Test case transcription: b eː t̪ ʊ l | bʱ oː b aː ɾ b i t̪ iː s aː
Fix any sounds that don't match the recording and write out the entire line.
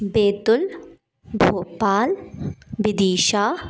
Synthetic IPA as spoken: b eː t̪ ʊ l | bʱ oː p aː l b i d̪ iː ʃ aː